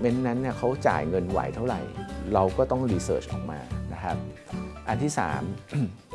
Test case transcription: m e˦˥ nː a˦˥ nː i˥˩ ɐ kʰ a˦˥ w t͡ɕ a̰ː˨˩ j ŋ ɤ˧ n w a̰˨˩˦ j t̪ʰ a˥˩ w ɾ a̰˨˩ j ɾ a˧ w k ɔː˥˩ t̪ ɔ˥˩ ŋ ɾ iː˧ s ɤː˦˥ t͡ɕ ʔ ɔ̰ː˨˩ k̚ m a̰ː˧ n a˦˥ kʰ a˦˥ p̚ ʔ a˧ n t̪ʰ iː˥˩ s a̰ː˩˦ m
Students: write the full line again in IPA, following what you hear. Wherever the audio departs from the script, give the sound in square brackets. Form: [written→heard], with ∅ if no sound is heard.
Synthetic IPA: m e˦˥ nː a˦˥ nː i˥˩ ɐ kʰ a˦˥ w t͡ɕ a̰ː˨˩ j ŋ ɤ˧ n w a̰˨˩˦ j t̪ʰ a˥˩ w ɾ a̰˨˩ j ɾ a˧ w k ɔː˥˩ t̪ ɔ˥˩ ŋ ɾ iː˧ s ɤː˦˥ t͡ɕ ʔ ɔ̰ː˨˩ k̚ m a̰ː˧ n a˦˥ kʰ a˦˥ p̚ ʔ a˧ n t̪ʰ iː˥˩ s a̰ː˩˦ m